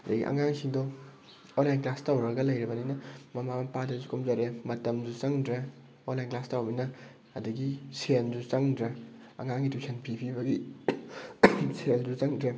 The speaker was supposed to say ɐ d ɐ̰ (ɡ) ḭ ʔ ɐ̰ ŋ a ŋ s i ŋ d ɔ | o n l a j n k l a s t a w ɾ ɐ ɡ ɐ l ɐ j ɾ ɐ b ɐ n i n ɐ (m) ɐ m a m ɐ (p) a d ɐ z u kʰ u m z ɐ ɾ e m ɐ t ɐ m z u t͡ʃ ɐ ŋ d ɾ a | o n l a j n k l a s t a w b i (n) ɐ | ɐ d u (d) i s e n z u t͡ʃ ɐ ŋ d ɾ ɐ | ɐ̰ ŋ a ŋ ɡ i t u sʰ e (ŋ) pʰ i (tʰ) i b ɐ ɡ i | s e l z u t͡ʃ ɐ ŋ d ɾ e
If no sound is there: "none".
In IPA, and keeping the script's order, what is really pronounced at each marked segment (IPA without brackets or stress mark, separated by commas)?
ɡ, m, p, n, ɡ, n, pʰ